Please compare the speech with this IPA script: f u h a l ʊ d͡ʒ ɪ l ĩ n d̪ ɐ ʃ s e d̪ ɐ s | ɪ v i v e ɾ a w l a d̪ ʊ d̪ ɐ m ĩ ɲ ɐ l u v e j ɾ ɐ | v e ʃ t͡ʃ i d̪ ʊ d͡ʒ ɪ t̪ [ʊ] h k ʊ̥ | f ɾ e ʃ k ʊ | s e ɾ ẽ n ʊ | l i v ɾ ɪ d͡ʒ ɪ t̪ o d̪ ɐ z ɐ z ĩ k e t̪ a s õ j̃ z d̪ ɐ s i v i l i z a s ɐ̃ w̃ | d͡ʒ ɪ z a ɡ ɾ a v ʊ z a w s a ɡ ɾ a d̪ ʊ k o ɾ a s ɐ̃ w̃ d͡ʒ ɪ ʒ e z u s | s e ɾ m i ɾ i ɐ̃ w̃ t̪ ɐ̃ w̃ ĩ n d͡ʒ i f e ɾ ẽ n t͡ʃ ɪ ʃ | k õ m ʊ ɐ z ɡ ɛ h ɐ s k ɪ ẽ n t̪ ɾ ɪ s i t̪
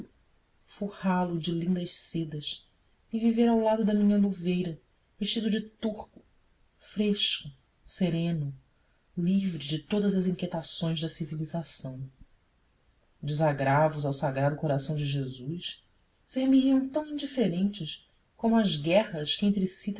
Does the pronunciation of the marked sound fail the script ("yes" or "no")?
yes